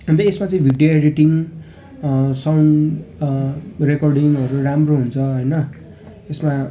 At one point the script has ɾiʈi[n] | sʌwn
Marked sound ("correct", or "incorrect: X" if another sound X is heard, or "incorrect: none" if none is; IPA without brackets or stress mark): incorrect: ŋ